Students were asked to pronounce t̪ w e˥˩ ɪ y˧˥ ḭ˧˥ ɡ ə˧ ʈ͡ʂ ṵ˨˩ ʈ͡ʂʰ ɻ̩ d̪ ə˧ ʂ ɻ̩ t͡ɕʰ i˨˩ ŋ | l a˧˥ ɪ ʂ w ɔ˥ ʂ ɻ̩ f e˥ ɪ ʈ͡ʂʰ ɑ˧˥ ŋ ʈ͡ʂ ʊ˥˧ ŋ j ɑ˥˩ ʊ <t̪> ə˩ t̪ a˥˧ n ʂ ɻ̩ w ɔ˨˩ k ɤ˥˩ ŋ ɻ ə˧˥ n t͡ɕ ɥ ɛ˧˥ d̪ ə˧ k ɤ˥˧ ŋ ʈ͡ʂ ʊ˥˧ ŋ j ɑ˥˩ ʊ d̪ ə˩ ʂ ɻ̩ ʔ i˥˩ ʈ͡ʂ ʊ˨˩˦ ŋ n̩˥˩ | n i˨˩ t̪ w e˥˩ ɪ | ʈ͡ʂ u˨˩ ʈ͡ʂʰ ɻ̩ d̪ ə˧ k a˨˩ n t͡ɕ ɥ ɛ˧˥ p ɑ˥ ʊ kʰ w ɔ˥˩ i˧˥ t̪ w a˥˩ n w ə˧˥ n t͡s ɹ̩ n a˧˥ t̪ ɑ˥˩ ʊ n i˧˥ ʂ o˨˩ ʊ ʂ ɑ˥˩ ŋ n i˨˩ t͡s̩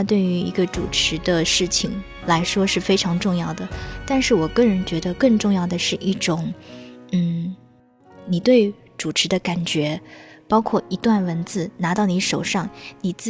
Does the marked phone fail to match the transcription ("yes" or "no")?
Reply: yes